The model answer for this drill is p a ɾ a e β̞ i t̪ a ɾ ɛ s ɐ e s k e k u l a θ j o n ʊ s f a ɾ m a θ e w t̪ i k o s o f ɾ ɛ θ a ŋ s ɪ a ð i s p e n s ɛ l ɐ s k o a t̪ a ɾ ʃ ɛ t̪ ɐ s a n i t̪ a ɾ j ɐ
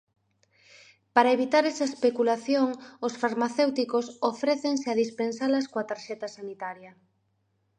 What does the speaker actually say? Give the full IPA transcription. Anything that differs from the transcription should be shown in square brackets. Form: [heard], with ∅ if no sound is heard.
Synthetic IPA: p a ɾ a e β̞ i t̪ a ɾ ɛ s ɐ e s [p] e k u l a θ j o [ŋ] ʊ s f a ɾ m a θ e w t̪ i k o s o f ɾ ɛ θ [e] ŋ s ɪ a ð i s p e n s [a] l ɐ s k o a t̪ a ɾ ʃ ɛ t̪ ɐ s a n i t̪ a ɾ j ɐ